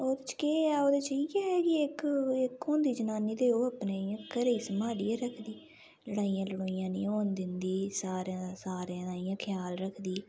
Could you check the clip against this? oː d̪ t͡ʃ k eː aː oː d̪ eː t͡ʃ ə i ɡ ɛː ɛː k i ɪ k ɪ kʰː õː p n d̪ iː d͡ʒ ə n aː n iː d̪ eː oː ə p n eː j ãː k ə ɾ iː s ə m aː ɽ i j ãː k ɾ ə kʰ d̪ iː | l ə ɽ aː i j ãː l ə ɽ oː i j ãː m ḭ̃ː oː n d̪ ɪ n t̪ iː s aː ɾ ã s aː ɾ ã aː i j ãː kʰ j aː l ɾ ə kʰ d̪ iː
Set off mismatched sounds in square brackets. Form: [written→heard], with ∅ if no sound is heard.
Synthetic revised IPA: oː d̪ t͡ʃ k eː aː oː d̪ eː t͡ʃ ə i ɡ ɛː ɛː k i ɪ k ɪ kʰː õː [p→∅] n d̪ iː d͡ʒ ə n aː n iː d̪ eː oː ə p n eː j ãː k ə ɾ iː s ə m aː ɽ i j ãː [k→∅] ɾ ə kʰ d̪ iː | l ə ɽ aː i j ãː l ə ɽ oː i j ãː [m→n] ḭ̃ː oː n d̪ ɪ n [t̪→d̪] iː s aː ɾ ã s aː ɾ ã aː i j ãː kʰ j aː l ɾ ə kʰ d̪ iː